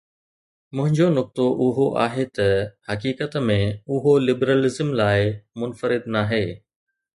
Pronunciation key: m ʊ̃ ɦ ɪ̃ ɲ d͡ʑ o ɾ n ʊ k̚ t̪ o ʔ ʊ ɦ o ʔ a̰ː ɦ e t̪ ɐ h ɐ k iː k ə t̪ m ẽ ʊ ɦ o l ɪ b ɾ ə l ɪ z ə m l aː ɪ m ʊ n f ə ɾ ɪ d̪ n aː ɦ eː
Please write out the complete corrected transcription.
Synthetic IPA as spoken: m ʊ̃ ɦ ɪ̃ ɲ d͡ʑ o n ʊ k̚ t̪ o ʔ ʊ ɦ o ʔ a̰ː ɦ e t̪ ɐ h ɐ k iː k ə t̪ m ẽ ʊ ɦ o l ɪ b ɾ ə l ɪ z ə m l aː ɪ m ʊ n f ə ɾ ɪ d̪ n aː ɦ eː